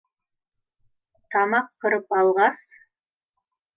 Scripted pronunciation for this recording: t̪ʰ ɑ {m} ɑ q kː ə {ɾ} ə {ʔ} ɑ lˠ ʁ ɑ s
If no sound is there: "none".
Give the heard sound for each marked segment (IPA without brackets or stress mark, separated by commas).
m, ɾ, p